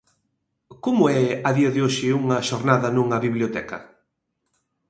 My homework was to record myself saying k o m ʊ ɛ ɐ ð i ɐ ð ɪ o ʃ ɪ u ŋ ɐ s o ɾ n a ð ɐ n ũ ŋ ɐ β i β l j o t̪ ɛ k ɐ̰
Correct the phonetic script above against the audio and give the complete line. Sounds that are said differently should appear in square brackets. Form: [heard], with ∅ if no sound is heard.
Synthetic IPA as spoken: k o m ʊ ɛ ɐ ð i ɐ ð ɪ o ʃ ɪ u ŋ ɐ [ʃ] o ɾ n a ð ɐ n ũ ŋ ɐ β i β l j o t̪ ɛ k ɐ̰